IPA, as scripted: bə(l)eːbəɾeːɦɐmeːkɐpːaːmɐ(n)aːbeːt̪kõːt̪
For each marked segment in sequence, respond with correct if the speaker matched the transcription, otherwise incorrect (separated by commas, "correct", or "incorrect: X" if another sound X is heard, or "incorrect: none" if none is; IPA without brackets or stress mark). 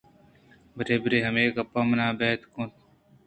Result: incorrect: ɾ, correct